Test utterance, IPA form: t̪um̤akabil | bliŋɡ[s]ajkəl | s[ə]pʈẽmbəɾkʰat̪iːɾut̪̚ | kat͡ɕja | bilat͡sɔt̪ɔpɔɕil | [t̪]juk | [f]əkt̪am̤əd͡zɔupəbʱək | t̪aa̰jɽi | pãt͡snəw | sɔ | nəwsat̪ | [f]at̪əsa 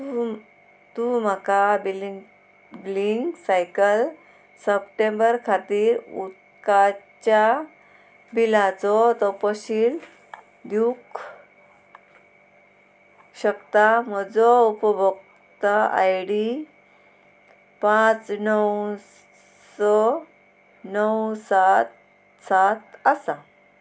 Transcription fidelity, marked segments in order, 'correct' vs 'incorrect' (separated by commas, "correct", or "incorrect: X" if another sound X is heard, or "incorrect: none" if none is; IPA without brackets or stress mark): correct, correct, incorrect: d̪, incorrect: ɕ, incorrect: s